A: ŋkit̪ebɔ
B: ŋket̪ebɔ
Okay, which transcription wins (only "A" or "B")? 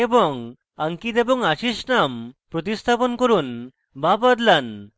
A